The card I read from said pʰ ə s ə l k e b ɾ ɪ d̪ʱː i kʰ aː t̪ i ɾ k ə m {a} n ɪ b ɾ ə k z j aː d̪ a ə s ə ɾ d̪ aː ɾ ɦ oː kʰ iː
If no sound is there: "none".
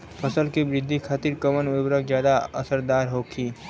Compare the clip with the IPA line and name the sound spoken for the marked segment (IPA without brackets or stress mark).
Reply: ə